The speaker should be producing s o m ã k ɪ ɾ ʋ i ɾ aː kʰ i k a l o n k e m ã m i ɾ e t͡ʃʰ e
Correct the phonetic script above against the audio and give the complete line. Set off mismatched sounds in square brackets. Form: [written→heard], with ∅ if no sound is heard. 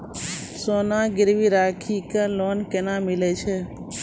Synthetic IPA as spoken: s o [m→n] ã [k→ɡ] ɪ ɾ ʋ i ɾ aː kʰ i k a l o n k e [m→n] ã m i [ɾ→l] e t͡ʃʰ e